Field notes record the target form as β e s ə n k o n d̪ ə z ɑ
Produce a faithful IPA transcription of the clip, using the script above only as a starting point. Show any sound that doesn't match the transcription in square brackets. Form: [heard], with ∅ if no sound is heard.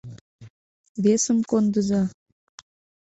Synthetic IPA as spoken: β e s ə [m] k o n d̪ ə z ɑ